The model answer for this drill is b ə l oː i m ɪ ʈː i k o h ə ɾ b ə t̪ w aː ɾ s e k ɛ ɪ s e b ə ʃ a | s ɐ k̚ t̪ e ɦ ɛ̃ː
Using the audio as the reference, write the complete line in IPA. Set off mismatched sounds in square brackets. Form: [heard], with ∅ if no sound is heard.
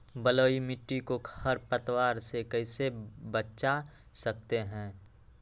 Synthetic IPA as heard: b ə l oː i m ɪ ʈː i k o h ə ɾ [p] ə t̪ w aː ɾ s e k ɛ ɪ s e b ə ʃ a | s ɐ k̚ t̪ e ɦ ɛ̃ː